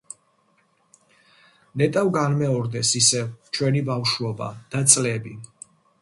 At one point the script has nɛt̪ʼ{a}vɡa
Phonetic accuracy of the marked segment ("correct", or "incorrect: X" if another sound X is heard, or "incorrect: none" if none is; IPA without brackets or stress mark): correct